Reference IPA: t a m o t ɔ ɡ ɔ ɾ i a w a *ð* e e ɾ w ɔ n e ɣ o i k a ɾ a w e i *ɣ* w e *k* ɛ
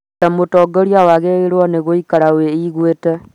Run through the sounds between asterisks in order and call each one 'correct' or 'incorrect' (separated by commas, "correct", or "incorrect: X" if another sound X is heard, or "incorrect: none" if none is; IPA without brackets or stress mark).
incorrect: ɣ, correct, incorrect: t